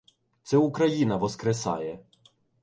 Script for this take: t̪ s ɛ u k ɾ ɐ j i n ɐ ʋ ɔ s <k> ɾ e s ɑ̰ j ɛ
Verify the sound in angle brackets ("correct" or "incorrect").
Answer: correct